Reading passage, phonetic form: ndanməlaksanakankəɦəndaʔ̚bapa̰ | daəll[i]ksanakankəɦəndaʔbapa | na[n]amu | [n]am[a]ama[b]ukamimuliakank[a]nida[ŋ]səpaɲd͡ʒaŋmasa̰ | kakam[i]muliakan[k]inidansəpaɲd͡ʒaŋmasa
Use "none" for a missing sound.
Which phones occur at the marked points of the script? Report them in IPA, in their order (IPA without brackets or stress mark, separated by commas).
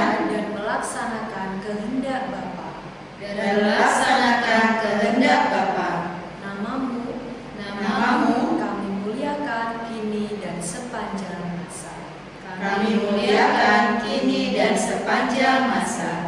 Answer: a, m, n, a, m, i, n, i, k